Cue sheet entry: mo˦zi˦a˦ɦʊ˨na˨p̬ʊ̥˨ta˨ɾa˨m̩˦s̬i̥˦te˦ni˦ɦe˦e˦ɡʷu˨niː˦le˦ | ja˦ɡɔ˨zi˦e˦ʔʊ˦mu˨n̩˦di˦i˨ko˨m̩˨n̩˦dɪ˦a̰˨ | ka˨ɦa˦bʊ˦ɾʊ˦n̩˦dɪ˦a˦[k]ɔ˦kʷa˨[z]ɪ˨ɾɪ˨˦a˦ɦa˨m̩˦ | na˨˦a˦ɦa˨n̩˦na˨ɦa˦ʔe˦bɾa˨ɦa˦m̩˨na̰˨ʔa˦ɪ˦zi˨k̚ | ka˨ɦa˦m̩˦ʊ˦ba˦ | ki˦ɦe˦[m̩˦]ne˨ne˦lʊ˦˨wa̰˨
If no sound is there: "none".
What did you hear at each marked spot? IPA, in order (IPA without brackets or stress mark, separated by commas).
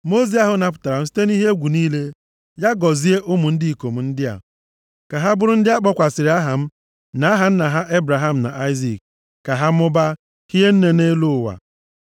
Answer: k͡p, s, n̩˦